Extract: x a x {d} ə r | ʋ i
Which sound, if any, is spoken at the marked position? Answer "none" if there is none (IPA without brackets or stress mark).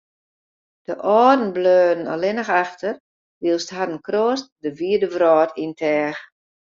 t